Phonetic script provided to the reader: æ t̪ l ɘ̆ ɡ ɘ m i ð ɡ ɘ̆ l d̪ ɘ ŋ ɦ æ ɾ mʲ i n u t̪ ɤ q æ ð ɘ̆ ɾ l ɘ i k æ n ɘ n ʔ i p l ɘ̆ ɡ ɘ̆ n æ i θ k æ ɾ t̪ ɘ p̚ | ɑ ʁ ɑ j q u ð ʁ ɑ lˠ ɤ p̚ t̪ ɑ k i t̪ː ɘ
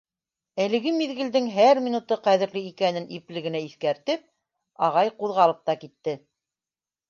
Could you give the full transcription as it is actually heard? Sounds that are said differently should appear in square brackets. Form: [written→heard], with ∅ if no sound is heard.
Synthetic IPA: æ [t̪→∅] l ɘ̆ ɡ ɘ m i ð ɡ ɘ̆ l d̪ ɘ ŋ ɦ æ ɾ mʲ i n u t̪ ɤ q æ ð ɘ̆ ɾ l ɘ i k æ n ɘ n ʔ i p l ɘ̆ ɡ ɘ̆ n æ i θ k æ ɾ t̪ ɘ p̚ | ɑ ʁ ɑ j q u ð ʁ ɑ lˠ ɤ p̚ t̪ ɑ k i t̪ː ɘ